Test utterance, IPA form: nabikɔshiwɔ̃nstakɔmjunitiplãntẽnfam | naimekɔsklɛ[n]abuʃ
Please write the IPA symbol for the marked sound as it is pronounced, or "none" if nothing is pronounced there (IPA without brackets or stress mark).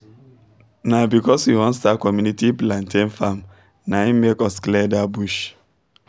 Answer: d